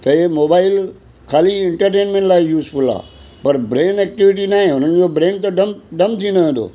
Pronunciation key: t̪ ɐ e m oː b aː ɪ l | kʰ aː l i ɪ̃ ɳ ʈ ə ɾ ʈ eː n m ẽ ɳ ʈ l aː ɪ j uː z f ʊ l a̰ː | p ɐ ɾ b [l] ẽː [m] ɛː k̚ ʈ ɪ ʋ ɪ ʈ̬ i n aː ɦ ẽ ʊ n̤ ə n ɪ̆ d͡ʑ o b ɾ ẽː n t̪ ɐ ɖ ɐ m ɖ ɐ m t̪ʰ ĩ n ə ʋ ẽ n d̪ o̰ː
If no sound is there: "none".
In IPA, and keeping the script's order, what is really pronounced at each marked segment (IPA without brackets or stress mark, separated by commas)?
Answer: ɾ, n